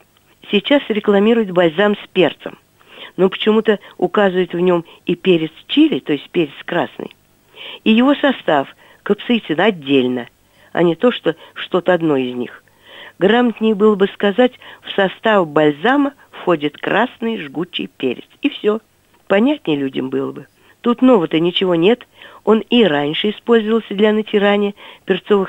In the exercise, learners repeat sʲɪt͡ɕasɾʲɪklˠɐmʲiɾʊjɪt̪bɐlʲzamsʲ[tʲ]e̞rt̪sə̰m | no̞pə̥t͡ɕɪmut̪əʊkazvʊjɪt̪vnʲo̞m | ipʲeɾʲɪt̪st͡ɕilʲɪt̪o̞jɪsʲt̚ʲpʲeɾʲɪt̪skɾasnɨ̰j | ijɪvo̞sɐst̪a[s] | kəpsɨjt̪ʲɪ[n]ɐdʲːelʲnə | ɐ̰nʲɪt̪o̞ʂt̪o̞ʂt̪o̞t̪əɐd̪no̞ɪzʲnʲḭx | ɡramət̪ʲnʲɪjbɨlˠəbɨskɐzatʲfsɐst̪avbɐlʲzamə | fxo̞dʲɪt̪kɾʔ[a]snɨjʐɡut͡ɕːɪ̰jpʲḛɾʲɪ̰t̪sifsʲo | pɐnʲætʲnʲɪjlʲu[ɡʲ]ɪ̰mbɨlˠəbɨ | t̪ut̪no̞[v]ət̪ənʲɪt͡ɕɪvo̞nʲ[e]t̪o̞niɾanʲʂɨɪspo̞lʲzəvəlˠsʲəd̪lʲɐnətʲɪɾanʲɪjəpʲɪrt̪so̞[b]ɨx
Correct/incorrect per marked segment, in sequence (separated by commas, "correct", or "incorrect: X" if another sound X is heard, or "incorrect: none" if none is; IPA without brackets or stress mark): incorrect: pʲ, incorrect: f, correct, correct, incorrect: dʲ, correct, correct, incorrect: v